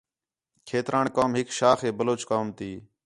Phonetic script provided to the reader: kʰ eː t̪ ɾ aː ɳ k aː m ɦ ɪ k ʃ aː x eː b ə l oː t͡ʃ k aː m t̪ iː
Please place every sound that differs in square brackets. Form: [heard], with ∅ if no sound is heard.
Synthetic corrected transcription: kʰ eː t̪ ɾ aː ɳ k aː m ɦ ɪ k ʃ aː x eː b ə l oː t͡ʃ k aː m t̪ iː